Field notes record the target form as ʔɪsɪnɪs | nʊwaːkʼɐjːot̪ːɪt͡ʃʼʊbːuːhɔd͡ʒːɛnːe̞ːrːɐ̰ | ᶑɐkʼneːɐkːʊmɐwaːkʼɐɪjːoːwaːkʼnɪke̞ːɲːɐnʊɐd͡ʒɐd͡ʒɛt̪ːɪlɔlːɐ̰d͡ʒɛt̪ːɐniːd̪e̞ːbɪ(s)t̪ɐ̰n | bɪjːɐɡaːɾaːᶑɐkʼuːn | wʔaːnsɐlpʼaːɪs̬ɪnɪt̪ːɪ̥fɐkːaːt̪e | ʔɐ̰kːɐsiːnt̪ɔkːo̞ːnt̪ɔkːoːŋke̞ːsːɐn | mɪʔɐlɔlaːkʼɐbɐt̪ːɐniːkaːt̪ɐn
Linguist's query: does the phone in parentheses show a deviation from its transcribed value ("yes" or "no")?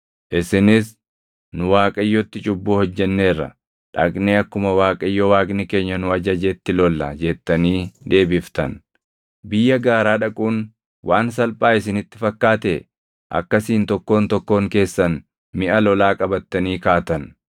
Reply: yes